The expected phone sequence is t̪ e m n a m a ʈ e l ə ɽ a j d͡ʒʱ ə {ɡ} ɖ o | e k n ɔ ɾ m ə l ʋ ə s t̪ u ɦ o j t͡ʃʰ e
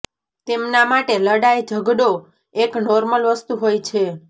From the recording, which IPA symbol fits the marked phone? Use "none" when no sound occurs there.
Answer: ɡ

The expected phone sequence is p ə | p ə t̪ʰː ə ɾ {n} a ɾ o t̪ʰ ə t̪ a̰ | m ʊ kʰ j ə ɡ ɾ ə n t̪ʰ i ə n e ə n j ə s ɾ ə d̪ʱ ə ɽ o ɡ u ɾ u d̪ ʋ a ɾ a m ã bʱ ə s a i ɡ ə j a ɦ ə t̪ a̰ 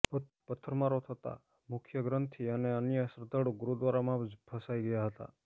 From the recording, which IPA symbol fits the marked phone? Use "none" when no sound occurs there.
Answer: m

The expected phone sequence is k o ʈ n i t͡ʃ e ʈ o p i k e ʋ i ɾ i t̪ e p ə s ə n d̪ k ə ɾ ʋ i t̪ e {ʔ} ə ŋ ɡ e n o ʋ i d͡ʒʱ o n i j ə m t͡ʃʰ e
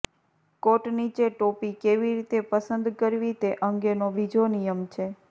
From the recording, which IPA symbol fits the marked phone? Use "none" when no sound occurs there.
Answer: ʔ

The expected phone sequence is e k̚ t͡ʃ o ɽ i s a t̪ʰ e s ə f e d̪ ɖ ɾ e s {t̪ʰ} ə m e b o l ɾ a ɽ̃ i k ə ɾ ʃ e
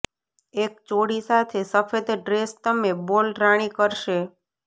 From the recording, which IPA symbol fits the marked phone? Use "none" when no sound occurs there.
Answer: t̪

